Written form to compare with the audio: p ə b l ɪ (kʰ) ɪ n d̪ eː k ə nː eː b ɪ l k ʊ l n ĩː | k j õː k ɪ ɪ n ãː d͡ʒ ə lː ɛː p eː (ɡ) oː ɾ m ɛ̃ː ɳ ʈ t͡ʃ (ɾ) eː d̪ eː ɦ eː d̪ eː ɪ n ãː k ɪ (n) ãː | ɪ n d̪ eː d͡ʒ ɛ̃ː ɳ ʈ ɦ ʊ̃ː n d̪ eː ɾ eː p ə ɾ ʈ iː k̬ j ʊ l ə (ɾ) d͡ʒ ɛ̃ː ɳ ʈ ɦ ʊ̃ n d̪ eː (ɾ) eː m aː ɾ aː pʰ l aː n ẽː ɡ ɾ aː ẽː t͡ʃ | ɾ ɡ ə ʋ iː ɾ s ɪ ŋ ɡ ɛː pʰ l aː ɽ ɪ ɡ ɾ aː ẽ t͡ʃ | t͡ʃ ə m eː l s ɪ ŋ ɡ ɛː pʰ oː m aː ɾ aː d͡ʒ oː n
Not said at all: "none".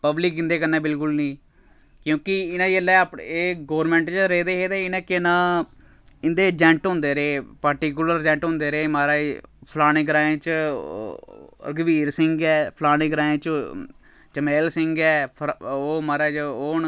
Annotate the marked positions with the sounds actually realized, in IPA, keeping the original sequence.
k, ɡ, ɾ, n, ɾ, ɾ

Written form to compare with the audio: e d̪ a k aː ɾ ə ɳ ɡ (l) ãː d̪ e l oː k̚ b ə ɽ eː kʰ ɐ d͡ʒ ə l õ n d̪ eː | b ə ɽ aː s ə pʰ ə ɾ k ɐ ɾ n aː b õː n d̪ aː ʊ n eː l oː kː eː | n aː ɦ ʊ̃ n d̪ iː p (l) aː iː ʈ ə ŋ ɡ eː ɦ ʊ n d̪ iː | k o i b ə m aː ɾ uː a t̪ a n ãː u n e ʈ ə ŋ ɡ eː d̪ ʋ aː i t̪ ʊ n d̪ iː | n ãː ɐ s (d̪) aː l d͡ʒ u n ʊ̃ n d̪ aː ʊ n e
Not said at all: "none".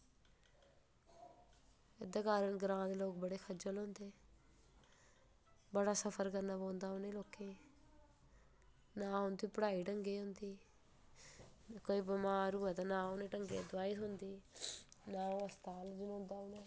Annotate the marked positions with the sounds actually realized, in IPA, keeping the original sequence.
ɾ, ɽ, t̪

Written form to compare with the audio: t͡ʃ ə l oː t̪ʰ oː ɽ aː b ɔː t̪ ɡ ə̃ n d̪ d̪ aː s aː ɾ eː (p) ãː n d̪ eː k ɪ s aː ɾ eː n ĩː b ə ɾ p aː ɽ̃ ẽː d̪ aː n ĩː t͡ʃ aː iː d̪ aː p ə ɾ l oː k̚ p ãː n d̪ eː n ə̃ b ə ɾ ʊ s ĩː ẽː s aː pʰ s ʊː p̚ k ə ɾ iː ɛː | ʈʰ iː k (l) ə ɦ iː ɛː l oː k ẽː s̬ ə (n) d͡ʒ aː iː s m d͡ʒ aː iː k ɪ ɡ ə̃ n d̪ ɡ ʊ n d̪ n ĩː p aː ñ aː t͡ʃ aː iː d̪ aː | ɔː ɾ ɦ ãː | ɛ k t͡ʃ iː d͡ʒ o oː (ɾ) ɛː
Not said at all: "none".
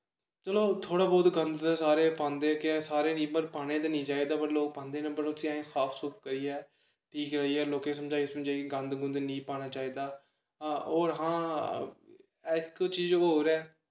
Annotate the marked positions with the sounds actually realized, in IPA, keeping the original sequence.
p, ɾ, m, ɾ

